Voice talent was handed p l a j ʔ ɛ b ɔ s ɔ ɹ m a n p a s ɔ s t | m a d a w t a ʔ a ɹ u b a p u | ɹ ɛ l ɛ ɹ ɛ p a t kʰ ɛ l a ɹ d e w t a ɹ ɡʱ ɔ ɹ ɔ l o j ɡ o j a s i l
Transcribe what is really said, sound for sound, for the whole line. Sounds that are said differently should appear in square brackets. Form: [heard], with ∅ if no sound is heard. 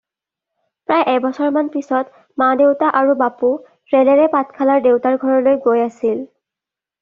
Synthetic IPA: p [ɹ] a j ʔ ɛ b ɔ s ɔ ɹ m a n p [i] s ɔ [∅] t | m a d [e] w t a ʔ a ɹ u b a p u | ɹ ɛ l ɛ ɹ ɛ p a t kʰ [a] l a ɹ d e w t a ɹ ɡʱ ɔ ɹ ɔ l o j ɡ o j a s i l